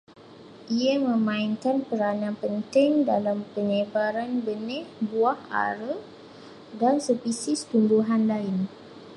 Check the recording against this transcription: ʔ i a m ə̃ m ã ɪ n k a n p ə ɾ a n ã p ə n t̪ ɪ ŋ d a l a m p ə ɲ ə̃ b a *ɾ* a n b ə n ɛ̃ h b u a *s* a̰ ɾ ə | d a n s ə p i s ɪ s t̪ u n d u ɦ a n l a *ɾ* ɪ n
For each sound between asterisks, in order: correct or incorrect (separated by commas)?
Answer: correct, incorrect, incorrect